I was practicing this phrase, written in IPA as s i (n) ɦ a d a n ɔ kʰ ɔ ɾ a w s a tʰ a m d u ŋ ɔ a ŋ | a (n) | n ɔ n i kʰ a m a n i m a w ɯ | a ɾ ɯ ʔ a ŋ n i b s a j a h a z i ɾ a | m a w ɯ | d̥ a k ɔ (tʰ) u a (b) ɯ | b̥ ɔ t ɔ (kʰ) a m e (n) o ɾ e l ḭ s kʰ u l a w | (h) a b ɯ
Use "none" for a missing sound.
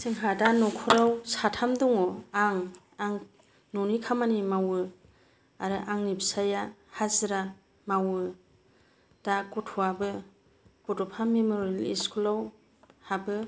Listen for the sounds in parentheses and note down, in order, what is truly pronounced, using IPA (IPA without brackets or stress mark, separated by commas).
ŋ, ŋ, tʰ, b, pʰ, m, h